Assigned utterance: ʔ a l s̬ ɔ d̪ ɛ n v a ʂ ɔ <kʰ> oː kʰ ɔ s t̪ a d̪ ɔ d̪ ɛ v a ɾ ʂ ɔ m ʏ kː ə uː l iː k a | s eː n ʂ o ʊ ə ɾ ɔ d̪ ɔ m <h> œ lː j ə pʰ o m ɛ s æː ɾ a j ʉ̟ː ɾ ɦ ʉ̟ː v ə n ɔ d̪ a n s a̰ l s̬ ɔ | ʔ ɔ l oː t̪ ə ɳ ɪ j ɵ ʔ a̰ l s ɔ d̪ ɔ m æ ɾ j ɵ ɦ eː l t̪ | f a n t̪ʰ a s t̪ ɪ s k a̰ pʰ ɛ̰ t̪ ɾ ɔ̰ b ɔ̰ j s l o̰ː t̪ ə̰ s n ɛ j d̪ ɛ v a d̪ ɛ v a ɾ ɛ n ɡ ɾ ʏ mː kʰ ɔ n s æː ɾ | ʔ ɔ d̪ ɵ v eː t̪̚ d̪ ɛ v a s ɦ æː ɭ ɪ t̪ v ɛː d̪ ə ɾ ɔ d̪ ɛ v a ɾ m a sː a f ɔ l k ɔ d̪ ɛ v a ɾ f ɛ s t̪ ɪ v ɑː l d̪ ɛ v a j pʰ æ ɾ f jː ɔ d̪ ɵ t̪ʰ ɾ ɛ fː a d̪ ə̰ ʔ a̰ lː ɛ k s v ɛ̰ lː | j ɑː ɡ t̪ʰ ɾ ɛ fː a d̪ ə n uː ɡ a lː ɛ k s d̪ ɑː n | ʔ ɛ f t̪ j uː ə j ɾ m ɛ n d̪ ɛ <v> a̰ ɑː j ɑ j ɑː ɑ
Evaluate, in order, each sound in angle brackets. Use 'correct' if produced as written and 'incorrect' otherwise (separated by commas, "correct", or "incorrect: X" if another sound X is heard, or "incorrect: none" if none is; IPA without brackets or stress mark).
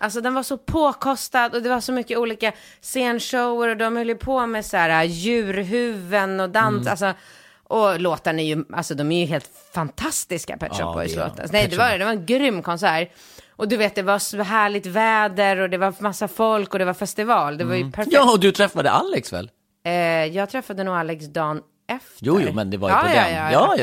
incorrect: pʰ, correct, correct